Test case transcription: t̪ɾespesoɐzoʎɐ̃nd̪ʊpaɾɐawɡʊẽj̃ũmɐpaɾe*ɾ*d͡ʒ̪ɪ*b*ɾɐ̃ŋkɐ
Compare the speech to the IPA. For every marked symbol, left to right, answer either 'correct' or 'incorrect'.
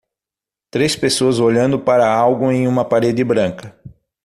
incorrect: none, correct

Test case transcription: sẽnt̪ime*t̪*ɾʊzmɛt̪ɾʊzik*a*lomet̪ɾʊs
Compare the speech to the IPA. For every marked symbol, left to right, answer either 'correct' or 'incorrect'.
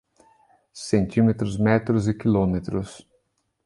correct, incorrect: i

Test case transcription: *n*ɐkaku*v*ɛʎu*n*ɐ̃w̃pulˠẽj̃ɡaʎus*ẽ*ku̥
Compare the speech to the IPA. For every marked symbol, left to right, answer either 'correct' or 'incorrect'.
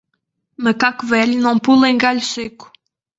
incorrect: m, correct, correct, incorrect: e

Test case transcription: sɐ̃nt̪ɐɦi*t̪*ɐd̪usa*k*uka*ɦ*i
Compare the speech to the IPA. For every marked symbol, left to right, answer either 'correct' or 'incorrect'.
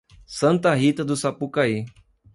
correct, incorrect: p, incorrect: none

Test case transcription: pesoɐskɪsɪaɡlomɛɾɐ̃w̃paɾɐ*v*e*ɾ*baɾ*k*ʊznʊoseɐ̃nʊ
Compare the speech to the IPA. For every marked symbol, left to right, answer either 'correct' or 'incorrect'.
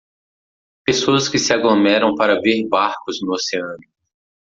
correct, correct, correct

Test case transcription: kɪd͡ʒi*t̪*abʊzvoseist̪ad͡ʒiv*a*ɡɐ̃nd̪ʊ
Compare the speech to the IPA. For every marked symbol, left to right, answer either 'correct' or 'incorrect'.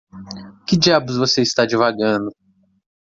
incorrect: none, correct

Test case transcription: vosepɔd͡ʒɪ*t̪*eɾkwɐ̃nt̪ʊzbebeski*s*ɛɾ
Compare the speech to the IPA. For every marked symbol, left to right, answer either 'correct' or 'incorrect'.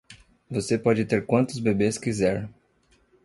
correct, incorrect: z

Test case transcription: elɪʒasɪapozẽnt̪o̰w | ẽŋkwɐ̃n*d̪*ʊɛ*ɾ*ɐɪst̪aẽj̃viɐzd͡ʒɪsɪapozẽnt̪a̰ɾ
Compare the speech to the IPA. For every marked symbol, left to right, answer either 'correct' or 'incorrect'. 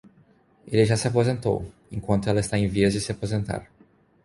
incorrect: t̪, incorrect: l

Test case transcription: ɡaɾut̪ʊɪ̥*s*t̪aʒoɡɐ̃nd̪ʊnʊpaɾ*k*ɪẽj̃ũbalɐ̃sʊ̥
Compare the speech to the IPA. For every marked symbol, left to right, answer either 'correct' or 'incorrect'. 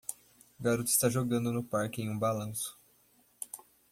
correct, correct

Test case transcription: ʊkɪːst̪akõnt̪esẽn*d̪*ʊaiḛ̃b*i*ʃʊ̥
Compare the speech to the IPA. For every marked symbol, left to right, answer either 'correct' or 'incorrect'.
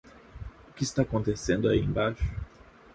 correct, incorrect: a

